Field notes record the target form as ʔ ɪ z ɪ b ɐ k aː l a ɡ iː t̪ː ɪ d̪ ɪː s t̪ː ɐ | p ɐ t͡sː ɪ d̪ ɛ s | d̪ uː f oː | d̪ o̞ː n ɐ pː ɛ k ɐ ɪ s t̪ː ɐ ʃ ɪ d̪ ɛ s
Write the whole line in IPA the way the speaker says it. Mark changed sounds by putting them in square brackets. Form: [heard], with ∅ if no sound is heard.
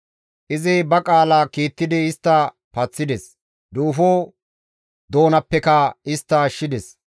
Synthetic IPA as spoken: ʔ ɪ z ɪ b ɐ [kʼ] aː l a [k] iː t̪ː ɪ d̪ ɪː s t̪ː ɐ | p ɐ t͡sː ɪ d̪ ɛ s | d̪ uː f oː | d̪ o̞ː n ɐ pː ɛ k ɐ ɪ s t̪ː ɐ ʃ ɪ d̪ ɛ s